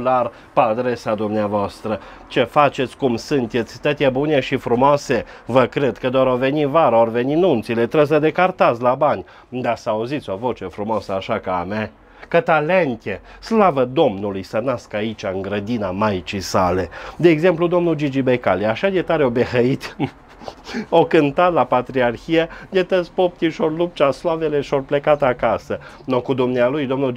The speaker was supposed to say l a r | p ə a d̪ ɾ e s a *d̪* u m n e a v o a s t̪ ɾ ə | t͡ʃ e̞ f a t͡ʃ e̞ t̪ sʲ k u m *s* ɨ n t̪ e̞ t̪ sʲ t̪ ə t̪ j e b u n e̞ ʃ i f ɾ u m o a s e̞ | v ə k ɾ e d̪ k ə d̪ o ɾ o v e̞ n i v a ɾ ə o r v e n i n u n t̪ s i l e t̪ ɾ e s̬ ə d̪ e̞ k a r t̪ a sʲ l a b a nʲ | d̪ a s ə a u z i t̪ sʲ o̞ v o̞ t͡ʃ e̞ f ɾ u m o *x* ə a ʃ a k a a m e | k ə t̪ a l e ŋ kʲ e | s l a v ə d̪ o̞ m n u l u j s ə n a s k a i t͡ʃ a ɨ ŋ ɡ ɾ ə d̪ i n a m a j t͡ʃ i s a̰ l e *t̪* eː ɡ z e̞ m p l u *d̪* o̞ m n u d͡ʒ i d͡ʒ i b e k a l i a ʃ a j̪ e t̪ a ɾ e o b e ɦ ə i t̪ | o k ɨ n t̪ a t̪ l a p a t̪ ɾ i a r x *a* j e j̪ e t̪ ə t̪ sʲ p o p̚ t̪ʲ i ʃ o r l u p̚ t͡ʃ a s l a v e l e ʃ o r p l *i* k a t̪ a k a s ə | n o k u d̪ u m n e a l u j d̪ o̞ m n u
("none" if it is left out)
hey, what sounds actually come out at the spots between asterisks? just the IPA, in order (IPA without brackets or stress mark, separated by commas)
d̪, s, s, d̪, d̪, i, e